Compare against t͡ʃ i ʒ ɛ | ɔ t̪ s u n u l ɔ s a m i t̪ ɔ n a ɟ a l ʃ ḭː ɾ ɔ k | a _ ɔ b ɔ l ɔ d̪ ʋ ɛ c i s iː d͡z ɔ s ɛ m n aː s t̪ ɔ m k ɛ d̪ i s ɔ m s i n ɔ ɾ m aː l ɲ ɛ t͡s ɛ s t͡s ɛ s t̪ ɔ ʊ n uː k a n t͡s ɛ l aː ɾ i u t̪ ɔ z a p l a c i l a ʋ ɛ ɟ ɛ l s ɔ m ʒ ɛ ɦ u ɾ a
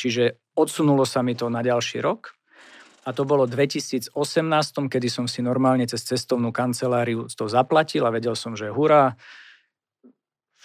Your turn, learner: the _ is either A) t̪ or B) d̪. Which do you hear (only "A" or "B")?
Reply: A